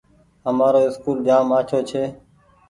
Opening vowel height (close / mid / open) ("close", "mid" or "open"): mid